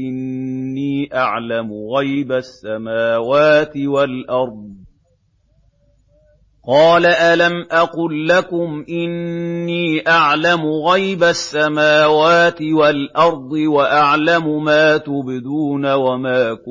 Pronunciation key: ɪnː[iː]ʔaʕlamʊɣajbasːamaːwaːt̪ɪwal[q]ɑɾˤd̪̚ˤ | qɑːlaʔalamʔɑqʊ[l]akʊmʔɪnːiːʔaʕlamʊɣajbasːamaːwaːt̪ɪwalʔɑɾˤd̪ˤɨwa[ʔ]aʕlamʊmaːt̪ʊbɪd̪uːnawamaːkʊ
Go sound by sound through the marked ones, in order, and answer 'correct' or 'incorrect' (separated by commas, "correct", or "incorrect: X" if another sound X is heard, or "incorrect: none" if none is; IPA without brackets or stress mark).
correct, incorrect: ʔ, incorrect: lː, correct